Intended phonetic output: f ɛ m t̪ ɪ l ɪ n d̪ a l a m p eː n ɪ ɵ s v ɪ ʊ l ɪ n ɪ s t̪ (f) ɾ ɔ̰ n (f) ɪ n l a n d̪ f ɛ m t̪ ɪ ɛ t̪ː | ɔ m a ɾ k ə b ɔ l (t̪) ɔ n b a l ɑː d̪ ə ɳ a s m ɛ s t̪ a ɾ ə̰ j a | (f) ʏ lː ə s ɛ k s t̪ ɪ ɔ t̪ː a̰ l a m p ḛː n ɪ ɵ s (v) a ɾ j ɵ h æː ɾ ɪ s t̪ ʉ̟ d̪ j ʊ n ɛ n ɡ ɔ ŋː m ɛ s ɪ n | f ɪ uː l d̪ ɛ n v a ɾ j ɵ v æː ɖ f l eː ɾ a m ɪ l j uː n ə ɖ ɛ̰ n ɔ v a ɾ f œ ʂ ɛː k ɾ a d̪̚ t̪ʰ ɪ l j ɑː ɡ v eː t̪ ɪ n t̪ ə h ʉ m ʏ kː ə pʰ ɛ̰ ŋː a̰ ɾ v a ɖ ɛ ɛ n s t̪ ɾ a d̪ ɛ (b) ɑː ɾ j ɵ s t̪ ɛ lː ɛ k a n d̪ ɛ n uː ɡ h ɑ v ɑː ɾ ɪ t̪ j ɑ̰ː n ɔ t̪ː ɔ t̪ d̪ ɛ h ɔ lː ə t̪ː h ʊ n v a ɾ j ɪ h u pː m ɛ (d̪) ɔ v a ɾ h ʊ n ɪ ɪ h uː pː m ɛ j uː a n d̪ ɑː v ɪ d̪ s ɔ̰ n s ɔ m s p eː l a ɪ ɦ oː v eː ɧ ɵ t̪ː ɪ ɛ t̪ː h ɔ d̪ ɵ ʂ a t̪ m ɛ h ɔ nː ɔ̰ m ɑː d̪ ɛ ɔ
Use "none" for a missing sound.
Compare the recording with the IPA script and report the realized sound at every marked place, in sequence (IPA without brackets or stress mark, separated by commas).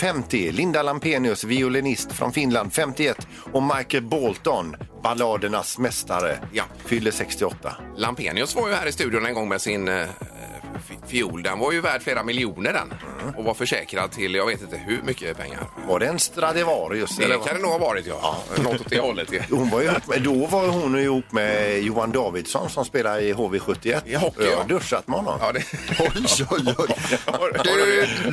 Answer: f, f, t̪, f, v, v, d̪